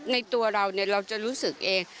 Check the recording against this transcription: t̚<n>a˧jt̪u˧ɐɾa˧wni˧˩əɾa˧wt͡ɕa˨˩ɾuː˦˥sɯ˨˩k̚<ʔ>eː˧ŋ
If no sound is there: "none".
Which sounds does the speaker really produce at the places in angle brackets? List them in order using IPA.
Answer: n, ʔ

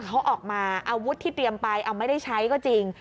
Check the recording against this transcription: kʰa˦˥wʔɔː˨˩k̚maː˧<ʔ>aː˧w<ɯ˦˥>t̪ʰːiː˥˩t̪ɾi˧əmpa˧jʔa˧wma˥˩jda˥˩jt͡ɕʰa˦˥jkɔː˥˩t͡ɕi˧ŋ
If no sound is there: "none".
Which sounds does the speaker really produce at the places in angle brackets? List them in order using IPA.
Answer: ʔ, u˦˥

